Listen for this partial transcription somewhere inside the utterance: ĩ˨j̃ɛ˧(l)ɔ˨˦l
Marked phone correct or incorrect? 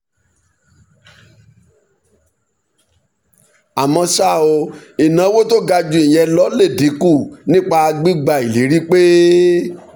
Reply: correct